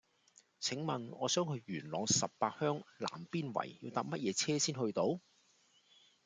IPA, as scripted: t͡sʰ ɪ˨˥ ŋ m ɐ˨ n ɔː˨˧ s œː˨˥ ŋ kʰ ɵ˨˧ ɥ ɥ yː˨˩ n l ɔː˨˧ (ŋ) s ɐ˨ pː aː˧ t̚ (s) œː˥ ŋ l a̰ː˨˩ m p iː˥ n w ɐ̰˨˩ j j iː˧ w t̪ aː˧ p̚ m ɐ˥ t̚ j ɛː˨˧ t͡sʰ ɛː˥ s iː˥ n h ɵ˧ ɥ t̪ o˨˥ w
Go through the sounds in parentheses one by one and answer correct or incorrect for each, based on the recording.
correct, incorrect: h

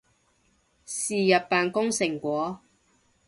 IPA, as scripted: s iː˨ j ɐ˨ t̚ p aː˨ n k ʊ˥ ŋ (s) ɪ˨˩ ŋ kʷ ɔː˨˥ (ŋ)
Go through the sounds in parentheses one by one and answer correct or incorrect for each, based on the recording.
correct, incorrect: none

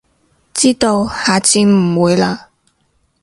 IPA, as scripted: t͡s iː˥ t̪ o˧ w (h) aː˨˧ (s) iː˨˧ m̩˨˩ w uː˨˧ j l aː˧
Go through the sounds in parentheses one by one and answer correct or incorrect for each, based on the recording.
correct, incorrect: t͡s

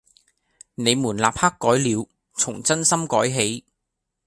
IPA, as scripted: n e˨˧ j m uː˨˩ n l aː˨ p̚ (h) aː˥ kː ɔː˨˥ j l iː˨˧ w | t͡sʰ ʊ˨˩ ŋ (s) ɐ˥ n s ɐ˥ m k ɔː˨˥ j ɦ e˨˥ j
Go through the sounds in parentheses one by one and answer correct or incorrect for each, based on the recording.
correct, incorrect: t͡s

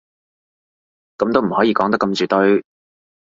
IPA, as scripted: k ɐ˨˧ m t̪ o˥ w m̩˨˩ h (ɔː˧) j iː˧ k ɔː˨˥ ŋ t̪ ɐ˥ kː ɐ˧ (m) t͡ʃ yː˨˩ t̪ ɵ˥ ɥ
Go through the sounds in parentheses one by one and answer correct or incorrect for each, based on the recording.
incorrect: ɔː˨˥, correct

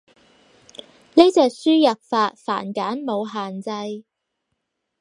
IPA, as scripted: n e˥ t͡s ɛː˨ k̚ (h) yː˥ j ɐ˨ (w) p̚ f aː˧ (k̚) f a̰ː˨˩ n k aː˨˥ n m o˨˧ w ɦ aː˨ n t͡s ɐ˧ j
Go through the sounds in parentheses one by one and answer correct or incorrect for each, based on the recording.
incorrect: s, incorrect: none, incorrect: t̚

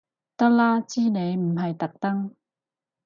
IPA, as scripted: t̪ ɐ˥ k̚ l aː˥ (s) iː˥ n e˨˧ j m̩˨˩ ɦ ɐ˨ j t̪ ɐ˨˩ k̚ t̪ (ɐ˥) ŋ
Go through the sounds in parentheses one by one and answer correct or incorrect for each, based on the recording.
incorrect: t͡s, correct

